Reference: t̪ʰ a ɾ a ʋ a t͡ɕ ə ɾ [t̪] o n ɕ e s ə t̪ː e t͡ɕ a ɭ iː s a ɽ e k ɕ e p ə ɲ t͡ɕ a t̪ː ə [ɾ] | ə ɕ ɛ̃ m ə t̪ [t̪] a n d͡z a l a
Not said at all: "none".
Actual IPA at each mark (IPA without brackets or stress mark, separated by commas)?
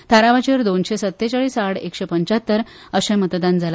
d̪, ɾ, d̪